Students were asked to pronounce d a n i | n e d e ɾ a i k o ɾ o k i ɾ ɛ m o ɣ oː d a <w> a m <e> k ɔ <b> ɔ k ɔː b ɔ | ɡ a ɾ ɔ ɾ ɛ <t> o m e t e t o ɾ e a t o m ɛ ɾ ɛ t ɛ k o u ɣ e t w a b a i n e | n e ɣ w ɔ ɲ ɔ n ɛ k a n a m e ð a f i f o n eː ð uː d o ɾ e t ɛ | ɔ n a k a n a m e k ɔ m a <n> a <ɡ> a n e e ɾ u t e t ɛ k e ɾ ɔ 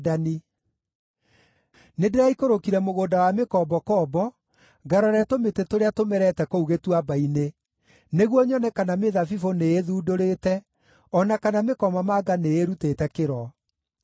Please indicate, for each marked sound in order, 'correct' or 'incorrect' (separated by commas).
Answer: correct, correct, correct, correct, incorrect, correct